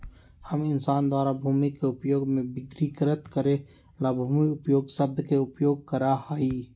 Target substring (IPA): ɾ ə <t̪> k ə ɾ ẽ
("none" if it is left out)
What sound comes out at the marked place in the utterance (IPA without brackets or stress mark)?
t̪